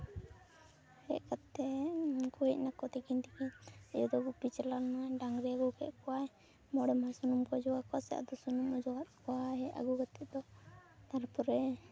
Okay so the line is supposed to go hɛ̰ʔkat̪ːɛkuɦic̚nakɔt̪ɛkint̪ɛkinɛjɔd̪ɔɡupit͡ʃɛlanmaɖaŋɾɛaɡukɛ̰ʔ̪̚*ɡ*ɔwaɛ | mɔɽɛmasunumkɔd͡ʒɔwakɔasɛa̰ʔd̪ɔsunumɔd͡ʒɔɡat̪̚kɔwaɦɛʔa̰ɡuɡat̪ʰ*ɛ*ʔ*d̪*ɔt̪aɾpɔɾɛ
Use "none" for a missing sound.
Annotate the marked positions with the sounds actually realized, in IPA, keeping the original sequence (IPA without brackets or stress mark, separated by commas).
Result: k, ɛ, d̪